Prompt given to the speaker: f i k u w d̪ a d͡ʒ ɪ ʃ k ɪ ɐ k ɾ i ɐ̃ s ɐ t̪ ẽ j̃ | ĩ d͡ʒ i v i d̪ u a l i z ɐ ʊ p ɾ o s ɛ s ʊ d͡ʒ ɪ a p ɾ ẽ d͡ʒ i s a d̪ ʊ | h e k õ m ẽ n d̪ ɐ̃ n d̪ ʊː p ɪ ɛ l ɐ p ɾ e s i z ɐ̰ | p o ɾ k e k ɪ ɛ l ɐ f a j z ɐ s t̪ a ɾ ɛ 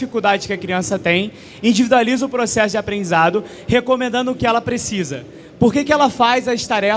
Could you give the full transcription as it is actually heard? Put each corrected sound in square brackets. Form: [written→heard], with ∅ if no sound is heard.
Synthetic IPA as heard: f i k u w d̪ a d͡ʒ ɪ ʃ k ɪ ɐ k ɾ i ɐ̃ s ɐ t̪ ẽ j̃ | ĩ d͡ʒ i v i d̪ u a l i z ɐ ʊ p ɾ o s ɛ s ʊ d͡ʒ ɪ a p ɾ ẽ d͡ʒ i [s→z] a d̪ ʊ | h e k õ m ẽ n d̪ ɐ̃ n d̪ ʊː [p→k] ɪ ɛ l ɐ p ɾ e s i z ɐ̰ | p o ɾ k e k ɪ ɛ l ɐ f a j z ɐ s t̪ a ɾ ɛ